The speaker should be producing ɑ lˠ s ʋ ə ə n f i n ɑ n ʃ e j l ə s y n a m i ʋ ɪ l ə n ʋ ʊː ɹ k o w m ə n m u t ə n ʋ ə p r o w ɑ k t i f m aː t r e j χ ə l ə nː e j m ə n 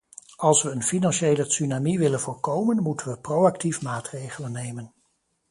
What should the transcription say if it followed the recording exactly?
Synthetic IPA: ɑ lˠ s ʋ ə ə n f i n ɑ n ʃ e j l ə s y n a m i ʋ ɪ l ə n v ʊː ɹ k o w m ə n m u t ə n ʋ ə p r o w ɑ k t i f m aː t r e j χ ə l ə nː e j m ə n

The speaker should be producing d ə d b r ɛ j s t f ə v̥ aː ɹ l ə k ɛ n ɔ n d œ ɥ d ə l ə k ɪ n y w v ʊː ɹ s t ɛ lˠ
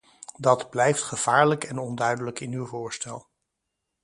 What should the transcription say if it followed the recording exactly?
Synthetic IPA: d ɑ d b l ɛ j f t χ ə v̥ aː ɹ l ə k ɛ n ɔ n d œ ɥ d ə l ə k ɪ n y w v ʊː ɹ s t ɛ lˠ

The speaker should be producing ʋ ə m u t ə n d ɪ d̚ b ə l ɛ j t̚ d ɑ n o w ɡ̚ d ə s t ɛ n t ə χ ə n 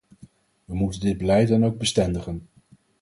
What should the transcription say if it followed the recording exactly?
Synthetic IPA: ʋ ə m u t ə n d ɪ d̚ b ə l ɛ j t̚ d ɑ n o w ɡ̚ b ə s t ɛ n d ə χ ə n

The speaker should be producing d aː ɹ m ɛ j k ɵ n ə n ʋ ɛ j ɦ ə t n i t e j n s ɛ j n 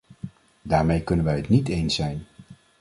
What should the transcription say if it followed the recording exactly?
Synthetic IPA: d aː ɹ m e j k ɵ n ə n ʋ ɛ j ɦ ə t n i t e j n s ɛ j n

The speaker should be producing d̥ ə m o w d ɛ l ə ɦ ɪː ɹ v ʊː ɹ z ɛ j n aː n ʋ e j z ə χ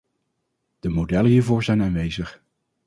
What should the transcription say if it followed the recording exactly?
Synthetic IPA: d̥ ə m o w d ɛ l ə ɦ iː ɹ v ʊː ɹ z ɛ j n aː n ʋ e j z ə χ

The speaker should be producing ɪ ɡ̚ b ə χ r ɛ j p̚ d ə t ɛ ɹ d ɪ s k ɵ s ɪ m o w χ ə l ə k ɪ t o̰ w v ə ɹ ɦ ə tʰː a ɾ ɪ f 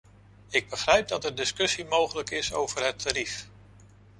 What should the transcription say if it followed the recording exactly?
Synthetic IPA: ɪ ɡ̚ b ə χ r ɛ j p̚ d ɑ t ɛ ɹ d ɪ s k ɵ s i m o w χ ə l ə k ɪ s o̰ w v ə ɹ ɦ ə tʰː a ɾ i f

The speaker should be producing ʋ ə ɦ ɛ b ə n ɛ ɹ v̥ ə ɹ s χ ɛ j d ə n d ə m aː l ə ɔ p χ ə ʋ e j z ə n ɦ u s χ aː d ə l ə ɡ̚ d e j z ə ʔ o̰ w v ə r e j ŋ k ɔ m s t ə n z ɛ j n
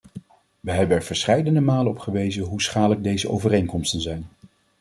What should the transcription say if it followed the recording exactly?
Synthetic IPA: ʋ ə ɦ ɛ b ə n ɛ ɹ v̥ ə ɹ s χ ɛ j d ə n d ə m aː l ə ɔ p χ ə ʋ e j z ə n ɦ u s χ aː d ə l ə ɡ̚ d e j z ə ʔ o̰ w v ə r e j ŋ k ɔ m s t ə n z ɛ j n

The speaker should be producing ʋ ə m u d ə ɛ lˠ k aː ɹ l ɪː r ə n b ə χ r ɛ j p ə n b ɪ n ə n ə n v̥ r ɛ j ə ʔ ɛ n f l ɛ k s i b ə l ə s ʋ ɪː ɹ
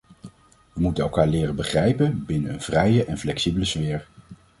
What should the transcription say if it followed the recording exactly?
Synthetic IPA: ʋ ə m u t ə ɛ lˠ k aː ɹ l ɪː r ə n b ə χ r ɛ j p ə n b ɪ n ə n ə n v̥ r ɛ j ə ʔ ɛ n f l ɛ k s i b ə l ə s ʋ ɪː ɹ

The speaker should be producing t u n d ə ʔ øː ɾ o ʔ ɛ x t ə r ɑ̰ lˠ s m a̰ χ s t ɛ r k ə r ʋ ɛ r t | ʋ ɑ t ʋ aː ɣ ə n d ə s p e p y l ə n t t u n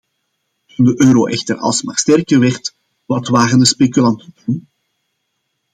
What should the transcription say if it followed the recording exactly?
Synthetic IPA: t u n d ə ʔ øː ɾ o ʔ ɛ x t ə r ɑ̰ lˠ s m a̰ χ s t ɛ r k ə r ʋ ɛ r t | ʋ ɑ t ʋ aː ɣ ə n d ə s p e k y l ɑ n t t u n

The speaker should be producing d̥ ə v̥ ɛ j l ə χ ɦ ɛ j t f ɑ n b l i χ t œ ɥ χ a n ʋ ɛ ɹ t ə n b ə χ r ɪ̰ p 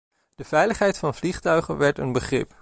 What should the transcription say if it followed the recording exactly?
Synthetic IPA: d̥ ə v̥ ɛ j l ə χ ɦ ɛ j t f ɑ n v l i χ t œ ɥ χ ə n ʋ ɛ ɹ t ə n b ə χ r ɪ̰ p

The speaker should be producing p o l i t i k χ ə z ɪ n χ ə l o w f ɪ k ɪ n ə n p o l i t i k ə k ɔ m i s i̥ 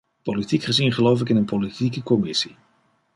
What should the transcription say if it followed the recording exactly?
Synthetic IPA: p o l i t i k χ ə z i n χ ə l o w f ɪ k ɪ n ə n p o l i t i k ə k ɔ m ɪ s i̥

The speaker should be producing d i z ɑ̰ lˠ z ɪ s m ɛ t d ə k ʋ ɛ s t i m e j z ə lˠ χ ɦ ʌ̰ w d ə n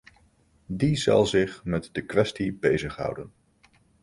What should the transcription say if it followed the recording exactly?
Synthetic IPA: d i z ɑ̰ lˠ z ɪ χ m ɛ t d ə k ʋ ɛ s t i b e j z ə χ ɦ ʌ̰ w d ə n

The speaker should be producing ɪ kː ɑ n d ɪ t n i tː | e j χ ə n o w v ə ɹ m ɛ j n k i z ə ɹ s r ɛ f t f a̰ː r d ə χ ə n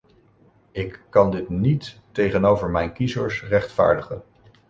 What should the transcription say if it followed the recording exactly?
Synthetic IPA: ɪ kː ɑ n d ɪ t n i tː | e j χ ə n o w v ə ɹ m ɛ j n k i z ə ɹ s r ɛ χ t f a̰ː ɹ d ə χ ə n

